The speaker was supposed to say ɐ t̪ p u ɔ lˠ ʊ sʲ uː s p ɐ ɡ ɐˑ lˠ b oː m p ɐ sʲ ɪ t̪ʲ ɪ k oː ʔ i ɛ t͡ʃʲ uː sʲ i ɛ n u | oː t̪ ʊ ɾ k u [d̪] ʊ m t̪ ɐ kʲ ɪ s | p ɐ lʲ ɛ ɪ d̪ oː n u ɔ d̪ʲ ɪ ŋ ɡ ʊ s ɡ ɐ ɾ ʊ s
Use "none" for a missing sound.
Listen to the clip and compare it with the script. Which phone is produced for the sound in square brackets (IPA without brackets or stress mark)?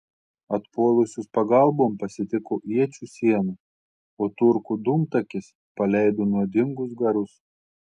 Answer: d̪